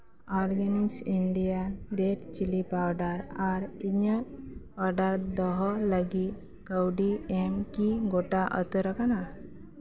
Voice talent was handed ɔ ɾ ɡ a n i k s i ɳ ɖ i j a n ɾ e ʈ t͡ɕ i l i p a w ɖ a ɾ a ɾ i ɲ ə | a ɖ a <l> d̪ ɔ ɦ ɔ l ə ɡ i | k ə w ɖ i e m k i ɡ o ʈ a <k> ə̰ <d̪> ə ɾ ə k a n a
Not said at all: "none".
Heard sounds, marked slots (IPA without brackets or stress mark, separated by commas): ɾ, ʔ, t̪